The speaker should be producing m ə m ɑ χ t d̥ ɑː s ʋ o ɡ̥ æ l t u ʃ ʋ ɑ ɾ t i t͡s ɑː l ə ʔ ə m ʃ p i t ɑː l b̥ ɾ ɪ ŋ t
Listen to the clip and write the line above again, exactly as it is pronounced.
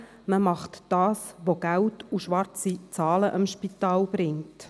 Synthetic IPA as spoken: m ə m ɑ χ t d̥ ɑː s ʋ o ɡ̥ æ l t u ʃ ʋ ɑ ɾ t͡s i t͡s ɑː l ə ʔ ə m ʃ p i t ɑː l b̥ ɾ ɪ ŋ t